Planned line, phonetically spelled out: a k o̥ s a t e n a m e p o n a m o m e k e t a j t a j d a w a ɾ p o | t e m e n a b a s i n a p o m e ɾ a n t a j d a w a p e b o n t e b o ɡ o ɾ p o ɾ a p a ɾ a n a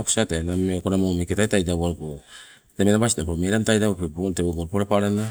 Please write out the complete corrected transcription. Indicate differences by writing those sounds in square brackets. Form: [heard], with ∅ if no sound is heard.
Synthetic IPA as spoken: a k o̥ s a t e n a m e [k] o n a m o m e k e t a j t a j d a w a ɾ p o | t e m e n a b a s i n a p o m e ɾ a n t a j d a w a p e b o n t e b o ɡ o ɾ p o ɾ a p a ɾ a n a